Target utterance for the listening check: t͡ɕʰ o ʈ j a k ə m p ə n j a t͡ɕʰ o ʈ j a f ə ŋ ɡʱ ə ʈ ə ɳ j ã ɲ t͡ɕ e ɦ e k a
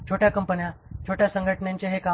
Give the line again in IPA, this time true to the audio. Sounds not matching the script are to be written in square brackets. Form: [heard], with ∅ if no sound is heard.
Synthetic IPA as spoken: t͡ɕʰ o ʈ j a k ə m p ə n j a t͡ɕʰ o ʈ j a [s] ə ŋ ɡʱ ə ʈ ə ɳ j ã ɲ t͡ɕ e ɦ e k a

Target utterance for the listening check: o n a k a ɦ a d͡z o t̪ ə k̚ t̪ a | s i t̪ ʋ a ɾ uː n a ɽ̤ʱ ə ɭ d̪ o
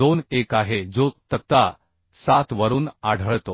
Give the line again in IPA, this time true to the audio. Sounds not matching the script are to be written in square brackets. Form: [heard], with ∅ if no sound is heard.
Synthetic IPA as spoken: o n [e] k a ɦ [e] d͡z o t̪ ə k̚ t̪ a | s [a] t̪ ʋ [ə] ɾ uː n a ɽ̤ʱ ə ɭ [t̪] o

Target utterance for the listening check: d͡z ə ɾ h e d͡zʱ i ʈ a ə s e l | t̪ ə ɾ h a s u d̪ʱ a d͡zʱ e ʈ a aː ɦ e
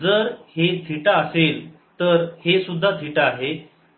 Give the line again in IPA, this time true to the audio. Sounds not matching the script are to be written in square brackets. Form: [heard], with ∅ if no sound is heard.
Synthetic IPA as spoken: d͡z ə ɾ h e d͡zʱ i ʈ a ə s e l | t̪ ə ɾ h [e] s u [d̪ʱː] a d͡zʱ [i] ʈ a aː ɦ e

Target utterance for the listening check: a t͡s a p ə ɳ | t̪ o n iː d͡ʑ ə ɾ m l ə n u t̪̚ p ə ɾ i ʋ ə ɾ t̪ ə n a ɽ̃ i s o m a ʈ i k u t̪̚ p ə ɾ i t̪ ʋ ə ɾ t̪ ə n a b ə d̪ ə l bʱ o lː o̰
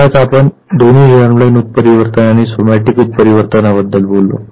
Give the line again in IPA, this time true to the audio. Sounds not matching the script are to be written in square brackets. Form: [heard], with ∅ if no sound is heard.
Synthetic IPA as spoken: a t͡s a p ə ɳ | [d̪] o n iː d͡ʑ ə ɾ m l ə n u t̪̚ p ə ɾ i ʋ ə ɾ t̪ ə n a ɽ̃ i s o m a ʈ i k u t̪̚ p ə ɾ i [∅] ʋ ə ɾ t̪ ə n a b ə [d̪ː] ə l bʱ o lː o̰

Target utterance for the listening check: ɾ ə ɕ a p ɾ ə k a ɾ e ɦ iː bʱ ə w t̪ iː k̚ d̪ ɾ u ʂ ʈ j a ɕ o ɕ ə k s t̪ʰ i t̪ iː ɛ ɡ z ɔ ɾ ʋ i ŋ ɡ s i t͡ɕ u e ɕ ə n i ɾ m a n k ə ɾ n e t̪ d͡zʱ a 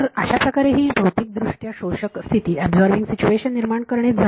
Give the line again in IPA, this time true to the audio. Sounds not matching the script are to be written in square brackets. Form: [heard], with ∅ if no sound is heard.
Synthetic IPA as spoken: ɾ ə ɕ a p ɾ ə k a ɾ e ɦ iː bʱ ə w t̪ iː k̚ d̪ ɾ u ʂ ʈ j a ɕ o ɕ ə k s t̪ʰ i t̪ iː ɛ [b] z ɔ ɾ ʋ i ŋ ɡ s i t͡ɕ u e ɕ ə [nː] i ɾ m a [ɳ] k ə ɾ [ɳ] e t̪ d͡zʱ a

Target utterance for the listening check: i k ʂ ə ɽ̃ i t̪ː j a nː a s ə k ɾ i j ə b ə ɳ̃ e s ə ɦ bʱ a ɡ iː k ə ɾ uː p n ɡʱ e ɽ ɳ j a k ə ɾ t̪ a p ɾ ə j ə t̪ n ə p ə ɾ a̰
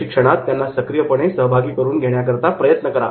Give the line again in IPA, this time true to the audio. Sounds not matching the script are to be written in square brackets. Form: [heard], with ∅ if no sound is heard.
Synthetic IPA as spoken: i k ʂ ə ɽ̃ [a] t̪ː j a nː a s ə k ɾ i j ə [p] ə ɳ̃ e s ə ɦ bʱ a ɡ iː k ə ɾ uː [∅] n ɡʱ e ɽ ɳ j a k ə ɾ t̪ a p ɾ ə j ə t̪ n ə [k] ə ɾ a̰

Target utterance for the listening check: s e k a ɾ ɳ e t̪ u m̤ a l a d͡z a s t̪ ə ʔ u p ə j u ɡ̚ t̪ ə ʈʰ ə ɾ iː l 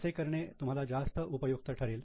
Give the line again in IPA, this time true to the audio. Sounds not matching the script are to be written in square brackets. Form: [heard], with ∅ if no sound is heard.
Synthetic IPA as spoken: s e k [ə] ɾ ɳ e t̪ u m̤ a l a d͡z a s t̪ ə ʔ u p ə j u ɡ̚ t̪ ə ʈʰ ə ɾ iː l

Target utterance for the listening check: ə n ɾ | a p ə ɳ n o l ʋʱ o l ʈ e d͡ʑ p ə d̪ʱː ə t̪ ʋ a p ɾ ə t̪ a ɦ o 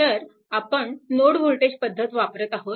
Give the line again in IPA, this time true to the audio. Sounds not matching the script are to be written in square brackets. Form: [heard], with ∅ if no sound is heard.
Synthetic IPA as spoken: ə [∅] ɾ | a p ə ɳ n o [ɽ] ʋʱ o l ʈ e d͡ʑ p ə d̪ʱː ə t̪ ʋ a p ɾ ə t̪ a ɦ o

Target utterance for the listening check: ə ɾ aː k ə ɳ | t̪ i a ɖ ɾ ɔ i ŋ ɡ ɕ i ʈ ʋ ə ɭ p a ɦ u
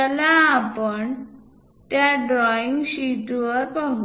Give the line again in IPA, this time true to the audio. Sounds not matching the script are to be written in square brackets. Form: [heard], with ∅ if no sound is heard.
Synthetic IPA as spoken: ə [l] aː [p] ə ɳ | t̪ [j] a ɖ ɾ ɔ i ŋ ɡ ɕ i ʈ ʋ ə [ɾ] p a ɦ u

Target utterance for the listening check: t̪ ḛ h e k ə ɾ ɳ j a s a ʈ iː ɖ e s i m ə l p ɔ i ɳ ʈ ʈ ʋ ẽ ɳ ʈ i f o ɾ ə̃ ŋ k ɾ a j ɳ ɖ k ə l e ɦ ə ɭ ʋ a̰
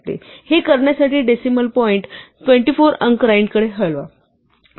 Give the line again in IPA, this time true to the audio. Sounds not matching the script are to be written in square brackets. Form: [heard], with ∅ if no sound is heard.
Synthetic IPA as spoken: t̪ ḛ h e k ə ɾ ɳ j a s a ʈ iː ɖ e s i m ə l p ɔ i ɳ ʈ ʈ ʋ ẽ ɳ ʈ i f o ɾ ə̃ ŋ k ɾ a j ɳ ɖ k ə [ɽ] e ɦ ə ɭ ʋ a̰

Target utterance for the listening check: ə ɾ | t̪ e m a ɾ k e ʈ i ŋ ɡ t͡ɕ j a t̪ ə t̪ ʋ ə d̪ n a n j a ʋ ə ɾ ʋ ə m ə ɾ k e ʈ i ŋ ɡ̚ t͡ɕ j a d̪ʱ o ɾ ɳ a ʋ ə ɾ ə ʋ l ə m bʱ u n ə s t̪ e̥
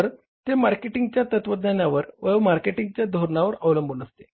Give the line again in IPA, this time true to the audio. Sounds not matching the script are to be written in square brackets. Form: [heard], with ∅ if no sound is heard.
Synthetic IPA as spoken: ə ɾ | t̪ e m a ɾ k e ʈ i ŋ ɡ t͡ɕ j a t̪ ə t̪ ʋ ə d̪ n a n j a ʋ ə ɾ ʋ ə m [a] ɾ k e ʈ i ŋ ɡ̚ t͡ɕ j a d̪ʱ o ɾ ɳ a ʋ ə ɾ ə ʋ l ə m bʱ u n ə s t̪ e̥

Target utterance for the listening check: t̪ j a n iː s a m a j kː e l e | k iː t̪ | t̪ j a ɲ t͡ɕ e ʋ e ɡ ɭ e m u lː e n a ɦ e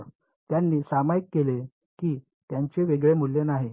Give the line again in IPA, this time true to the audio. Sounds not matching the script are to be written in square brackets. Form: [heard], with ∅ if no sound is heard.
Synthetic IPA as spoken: t̪ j a [nː] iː s a m a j kː e l e | k iː [∅] | t̪ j a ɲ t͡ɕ e ʋ e ɡ ɭ e m u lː e n a ɦ e

